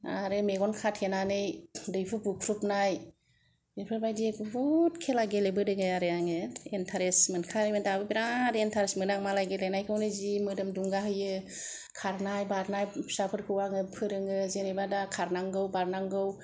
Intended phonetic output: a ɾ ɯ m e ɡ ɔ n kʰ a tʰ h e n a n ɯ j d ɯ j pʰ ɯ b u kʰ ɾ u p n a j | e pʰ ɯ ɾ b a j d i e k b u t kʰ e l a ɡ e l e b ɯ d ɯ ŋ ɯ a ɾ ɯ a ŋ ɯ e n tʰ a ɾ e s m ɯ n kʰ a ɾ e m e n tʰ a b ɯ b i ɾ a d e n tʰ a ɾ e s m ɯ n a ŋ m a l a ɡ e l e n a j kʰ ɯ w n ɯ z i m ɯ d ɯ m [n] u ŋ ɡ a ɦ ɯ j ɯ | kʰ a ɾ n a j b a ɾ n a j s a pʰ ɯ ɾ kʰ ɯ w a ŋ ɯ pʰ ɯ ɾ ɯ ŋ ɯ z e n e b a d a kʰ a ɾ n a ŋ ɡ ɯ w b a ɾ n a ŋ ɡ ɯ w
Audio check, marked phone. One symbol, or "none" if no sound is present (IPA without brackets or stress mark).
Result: d